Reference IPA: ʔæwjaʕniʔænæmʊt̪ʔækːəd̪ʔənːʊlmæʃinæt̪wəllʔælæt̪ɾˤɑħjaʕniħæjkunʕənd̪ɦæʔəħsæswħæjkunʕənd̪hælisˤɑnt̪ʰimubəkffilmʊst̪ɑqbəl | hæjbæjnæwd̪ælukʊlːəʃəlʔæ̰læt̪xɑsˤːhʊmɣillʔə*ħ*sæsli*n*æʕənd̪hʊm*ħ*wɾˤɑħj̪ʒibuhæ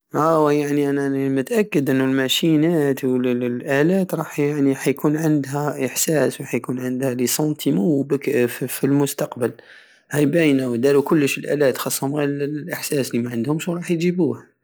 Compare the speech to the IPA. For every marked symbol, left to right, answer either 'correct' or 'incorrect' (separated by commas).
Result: correct, incorrect, incorrect